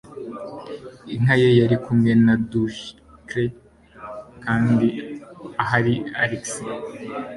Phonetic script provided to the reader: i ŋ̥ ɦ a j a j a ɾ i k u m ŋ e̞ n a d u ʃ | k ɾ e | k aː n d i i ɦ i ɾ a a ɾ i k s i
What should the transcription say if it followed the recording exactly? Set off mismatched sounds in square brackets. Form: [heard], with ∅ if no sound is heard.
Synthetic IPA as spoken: i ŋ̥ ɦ a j [e] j a ɾ i k u m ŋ e̞ n a d u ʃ | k ɾ e | k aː n d i [a] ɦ [a] ɾ [i] a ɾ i k s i